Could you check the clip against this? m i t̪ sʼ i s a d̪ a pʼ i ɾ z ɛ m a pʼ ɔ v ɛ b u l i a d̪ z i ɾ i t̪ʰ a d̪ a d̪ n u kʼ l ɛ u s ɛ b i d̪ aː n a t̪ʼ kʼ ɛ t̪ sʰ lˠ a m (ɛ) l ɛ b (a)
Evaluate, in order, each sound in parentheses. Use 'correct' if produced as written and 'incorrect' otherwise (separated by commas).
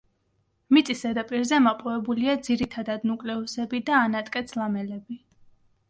correct, incorrect